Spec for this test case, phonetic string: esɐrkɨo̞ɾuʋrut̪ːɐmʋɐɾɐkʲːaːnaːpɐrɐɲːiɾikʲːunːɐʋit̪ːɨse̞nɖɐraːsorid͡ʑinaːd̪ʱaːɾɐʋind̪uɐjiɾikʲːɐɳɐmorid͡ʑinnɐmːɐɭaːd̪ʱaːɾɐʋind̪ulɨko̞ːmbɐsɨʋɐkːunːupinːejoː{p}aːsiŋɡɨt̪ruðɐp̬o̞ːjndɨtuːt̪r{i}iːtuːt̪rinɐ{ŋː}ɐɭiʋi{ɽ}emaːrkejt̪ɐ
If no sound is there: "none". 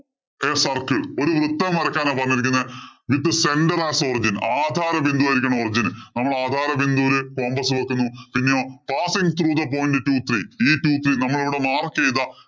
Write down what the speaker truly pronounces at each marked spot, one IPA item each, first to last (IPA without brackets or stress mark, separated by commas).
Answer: p, i, mː, ɽ